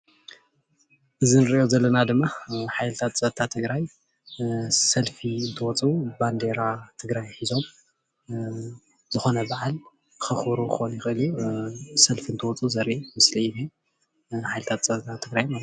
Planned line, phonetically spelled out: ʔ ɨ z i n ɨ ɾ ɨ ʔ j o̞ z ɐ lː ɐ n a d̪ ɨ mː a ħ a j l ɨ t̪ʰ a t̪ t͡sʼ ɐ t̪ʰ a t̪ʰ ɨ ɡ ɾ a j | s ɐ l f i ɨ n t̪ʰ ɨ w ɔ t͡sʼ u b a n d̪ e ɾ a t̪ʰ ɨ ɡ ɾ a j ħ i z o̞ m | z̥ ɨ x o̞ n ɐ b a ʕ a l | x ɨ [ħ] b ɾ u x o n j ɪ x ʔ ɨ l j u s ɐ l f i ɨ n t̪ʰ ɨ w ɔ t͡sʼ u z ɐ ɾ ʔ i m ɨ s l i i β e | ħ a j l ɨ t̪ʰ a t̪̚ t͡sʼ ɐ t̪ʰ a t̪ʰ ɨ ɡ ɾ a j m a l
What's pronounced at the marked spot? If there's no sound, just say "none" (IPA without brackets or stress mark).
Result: x